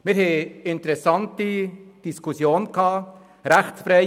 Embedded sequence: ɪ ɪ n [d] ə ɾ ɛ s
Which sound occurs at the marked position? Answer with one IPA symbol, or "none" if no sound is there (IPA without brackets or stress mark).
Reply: t